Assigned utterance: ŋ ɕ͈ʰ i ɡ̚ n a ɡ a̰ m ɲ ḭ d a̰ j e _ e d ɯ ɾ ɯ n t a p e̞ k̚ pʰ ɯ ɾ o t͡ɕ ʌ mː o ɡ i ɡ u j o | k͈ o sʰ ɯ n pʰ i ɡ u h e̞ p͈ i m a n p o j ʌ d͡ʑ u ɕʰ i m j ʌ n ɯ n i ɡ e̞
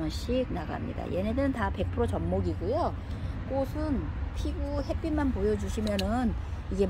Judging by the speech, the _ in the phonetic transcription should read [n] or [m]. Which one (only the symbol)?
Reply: n